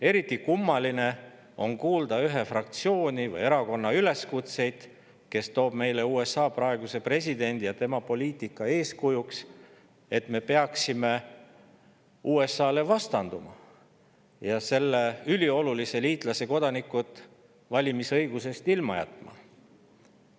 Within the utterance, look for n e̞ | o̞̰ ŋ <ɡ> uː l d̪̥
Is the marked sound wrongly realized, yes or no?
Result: yes